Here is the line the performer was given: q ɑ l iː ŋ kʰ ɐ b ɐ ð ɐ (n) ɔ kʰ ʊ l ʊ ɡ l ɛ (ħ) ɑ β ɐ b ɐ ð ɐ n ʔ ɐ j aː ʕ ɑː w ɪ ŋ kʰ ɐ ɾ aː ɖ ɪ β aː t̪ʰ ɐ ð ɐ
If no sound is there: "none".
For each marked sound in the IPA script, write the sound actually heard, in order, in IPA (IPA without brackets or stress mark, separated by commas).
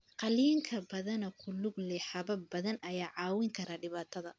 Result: n, ħ